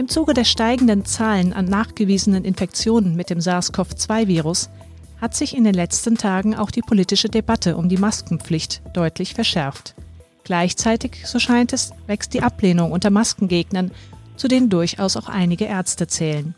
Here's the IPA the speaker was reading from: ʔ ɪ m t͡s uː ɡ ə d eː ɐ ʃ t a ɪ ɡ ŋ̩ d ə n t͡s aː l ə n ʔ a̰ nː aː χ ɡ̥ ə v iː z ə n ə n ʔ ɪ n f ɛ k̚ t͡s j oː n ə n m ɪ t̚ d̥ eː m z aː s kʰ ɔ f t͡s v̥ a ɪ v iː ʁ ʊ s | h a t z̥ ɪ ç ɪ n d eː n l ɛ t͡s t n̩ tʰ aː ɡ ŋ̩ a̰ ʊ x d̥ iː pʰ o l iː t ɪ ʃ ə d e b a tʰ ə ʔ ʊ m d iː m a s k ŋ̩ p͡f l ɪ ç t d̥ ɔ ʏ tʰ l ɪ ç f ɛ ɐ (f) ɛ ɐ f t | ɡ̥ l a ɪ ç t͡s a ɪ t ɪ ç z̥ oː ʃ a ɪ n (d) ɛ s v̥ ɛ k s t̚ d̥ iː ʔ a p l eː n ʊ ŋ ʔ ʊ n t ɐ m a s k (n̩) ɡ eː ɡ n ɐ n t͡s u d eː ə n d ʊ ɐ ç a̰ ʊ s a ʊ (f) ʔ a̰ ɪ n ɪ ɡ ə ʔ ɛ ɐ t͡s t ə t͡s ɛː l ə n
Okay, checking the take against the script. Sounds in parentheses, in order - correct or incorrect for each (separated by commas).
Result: incorrect, incorrect, incorrect, incorrect